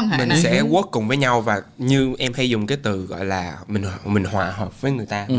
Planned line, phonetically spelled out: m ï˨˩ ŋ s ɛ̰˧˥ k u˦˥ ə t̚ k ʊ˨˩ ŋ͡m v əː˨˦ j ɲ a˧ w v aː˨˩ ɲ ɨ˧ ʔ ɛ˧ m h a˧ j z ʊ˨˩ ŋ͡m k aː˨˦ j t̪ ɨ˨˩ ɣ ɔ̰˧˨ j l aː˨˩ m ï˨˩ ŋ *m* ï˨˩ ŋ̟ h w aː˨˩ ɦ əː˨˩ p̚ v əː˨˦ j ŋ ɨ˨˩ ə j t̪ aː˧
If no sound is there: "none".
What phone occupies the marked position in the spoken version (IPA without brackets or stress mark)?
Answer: m